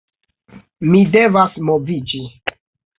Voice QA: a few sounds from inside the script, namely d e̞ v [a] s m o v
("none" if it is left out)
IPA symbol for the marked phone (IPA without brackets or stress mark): a